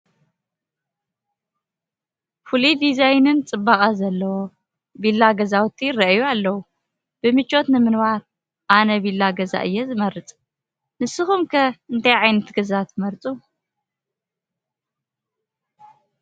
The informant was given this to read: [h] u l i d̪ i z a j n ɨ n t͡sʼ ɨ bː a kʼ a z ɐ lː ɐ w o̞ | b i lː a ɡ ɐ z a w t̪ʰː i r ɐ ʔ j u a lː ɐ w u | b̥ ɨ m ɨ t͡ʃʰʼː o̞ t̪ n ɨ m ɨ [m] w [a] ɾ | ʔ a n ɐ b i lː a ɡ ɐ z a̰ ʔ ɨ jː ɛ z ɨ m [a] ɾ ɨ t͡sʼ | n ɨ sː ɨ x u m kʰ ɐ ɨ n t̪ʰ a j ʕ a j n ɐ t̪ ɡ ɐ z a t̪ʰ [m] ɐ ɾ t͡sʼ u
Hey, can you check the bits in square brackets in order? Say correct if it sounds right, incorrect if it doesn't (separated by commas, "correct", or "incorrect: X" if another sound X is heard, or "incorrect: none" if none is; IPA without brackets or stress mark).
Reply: incorrect: f, incorrect: n, correct, incorrect: ɐ, correct